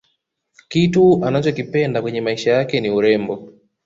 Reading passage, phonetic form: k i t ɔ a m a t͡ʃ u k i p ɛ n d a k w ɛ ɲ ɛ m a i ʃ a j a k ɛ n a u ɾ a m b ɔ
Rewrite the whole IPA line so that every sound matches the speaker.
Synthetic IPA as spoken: k i t u a n a t͡ʃ ɔ k i p ɛ n d a k w ɛ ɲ ɛ m a i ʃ a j a k ɛ n i u ɾ ɛ m b ɔ